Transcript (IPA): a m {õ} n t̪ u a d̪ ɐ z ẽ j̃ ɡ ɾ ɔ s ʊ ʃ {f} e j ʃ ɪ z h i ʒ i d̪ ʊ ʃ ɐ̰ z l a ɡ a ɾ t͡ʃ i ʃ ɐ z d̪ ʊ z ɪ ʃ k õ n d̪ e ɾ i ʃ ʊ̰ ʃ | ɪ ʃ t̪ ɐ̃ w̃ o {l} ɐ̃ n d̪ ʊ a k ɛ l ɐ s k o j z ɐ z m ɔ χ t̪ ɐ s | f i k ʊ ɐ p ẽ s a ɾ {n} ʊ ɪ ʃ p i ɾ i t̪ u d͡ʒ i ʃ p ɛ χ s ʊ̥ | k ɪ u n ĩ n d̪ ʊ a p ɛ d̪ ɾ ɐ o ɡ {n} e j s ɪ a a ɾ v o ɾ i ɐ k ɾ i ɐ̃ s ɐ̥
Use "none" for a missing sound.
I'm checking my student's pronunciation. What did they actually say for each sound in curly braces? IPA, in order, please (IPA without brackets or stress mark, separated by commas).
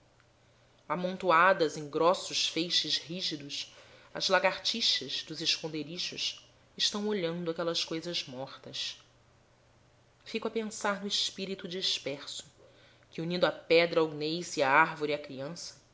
õ, f, ʎ, n, n